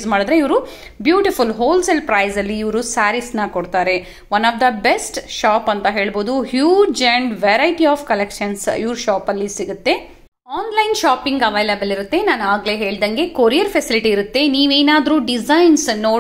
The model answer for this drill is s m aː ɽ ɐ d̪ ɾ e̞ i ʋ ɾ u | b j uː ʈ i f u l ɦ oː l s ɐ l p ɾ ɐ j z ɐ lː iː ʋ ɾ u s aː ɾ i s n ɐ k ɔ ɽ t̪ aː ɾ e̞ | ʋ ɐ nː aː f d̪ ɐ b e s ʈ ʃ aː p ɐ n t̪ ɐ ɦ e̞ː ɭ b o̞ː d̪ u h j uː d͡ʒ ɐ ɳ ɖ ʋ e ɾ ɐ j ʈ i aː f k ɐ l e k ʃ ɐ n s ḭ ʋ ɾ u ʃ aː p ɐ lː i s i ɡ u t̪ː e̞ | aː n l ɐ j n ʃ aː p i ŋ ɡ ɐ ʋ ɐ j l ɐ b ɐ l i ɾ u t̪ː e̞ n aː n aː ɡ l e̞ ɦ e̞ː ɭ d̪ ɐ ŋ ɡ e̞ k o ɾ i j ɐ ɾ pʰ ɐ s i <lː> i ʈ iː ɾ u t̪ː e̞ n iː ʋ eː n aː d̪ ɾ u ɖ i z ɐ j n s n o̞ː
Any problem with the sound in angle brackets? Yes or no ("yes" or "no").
yes